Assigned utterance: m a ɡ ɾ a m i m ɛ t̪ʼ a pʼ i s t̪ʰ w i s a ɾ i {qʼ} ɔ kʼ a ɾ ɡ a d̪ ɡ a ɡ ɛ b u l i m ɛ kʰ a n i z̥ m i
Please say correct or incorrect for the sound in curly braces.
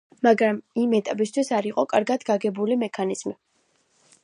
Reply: correct